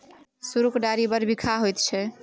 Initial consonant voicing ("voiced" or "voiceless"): voiceless